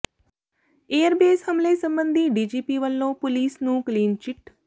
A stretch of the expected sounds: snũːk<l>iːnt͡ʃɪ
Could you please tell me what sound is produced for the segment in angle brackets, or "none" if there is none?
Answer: l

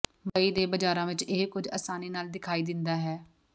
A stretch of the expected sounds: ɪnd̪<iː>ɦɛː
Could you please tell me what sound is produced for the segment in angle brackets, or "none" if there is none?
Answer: aː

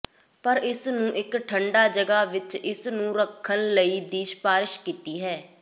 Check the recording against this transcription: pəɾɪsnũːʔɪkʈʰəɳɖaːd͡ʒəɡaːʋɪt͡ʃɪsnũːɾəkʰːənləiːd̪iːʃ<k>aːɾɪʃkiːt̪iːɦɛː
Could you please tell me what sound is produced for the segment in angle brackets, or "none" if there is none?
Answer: p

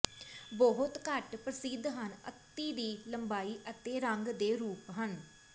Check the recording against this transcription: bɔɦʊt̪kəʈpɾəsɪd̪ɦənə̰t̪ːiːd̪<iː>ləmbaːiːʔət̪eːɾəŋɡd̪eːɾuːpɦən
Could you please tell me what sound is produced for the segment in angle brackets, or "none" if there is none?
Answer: iː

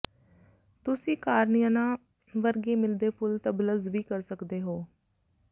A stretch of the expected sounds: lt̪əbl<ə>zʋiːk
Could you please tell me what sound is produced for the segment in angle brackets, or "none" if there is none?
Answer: ə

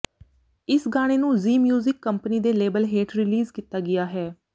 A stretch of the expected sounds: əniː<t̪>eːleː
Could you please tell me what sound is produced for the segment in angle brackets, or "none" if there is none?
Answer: d̪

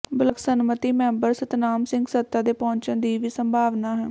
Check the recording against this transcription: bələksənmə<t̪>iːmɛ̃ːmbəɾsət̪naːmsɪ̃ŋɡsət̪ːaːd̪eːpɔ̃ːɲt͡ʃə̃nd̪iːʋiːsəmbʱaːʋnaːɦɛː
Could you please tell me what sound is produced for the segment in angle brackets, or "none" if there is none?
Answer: t̪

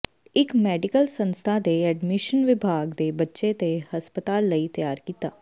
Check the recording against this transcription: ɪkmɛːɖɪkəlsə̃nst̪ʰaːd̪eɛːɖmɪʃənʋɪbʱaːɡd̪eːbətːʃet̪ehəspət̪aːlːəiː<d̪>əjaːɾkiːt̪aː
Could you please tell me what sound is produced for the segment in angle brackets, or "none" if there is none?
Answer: t̪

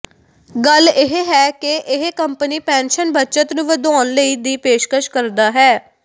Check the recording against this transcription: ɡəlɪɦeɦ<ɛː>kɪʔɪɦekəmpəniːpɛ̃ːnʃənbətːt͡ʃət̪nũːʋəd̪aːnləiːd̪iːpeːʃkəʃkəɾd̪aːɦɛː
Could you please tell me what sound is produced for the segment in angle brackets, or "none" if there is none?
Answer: ɛː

